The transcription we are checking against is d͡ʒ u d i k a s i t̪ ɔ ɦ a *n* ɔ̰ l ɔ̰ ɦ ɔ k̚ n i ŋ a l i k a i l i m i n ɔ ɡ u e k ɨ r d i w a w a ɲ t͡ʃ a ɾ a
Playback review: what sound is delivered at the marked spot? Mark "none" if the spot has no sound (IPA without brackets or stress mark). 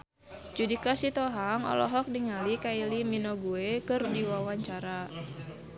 ŋ